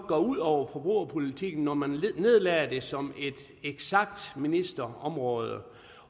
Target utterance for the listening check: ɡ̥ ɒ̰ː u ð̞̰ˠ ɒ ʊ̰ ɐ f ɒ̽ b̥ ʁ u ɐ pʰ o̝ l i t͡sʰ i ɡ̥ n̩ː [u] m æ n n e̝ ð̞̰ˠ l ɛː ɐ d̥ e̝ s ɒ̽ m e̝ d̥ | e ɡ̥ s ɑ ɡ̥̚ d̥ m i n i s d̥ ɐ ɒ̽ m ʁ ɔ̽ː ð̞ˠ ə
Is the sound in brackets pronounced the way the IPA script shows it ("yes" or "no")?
no